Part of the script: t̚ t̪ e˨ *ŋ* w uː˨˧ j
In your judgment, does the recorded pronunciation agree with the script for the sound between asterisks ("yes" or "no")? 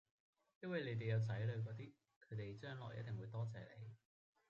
yes